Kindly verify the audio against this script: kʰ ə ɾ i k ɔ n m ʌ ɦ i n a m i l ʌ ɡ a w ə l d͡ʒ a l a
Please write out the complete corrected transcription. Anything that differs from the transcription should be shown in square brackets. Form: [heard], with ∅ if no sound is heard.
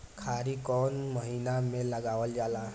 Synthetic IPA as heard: kʰ [a] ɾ i k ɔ n m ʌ ɦ i n a m [e] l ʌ ɡ a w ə l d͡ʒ a l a